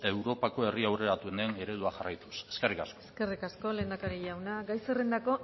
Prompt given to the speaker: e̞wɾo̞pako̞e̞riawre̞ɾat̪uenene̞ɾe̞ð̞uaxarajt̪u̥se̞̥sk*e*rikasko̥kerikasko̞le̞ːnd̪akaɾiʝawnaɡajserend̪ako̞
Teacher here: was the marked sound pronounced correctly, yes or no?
yes